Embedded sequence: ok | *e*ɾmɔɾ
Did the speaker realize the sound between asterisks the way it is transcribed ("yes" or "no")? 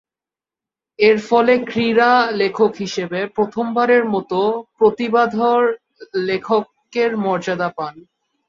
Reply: yes